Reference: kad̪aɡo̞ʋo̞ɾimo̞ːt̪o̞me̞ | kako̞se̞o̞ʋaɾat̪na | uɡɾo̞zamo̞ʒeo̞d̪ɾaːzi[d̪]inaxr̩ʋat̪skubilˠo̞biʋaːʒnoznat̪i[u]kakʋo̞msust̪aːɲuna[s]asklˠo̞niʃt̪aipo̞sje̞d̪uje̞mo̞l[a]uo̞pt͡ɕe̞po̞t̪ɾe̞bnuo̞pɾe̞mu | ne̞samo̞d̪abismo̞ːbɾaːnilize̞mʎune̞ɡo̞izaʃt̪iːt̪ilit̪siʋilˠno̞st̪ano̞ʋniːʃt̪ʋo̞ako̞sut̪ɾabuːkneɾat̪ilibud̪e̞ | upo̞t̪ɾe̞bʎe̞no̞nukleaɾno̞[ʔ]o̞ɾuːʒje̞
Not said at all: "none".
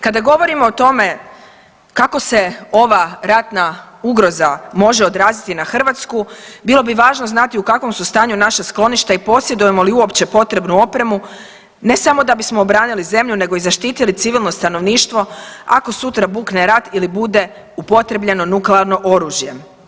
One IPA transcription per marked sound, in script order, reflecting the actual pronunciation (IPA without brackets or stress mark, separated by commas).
t̪, u, ʃ, i, ʔ